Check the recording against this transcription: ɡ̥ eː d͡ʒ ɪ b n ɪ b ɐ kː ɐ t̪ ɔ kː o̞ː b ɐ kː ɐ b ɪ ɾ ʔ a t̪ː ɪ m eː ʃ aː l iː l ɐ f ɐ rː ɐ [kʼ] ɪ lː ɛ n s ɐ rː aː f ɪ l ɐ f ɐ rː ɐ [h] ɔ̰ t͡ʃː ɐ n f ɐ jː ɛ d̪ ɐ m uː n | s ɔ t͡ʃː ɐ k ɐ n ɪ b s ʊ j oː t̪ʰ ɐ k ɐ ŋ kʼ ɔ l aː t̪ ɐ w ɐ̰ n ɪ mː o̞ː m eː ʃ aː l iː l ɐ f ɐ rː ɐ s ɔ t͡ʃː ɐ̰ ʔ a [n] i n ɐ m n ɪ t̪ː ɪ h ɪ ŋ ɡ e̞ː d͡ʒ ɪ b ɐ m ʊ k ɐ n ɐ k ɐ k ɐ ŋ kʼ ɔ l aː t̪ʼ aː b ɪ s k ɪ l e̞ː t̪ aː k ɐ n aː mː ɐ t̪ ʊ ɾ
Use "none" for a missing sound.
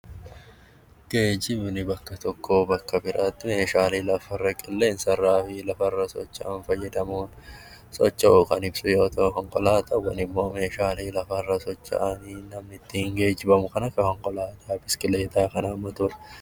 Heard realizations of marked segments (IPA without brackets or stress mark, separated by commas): kʼ, s, n